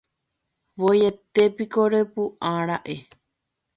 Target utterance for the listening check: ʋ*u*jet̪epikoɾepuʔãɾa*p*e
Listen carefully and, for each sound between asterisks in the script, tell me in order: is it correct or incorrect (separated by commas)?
incorrect, incorrect